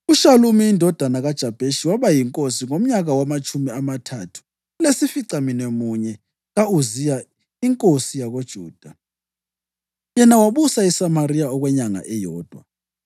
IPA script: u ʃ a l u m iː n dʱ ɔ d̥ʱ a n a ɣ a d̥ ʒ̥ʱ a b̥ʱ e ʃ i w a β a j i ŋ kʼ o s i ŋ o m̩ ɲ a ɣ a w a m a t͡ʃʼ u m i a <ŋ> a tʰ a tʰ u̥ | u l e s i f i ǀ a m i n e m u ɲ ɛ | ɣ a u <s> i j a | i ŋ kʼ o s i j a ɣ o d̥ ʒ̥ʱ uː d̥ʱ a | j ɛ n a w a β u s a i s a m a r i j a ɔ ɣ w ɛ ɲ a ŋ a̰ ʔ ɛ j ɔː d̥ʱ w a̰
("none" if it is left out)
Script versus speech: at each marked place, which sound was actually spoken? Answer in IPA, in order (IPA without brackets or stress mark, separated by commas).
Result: m, z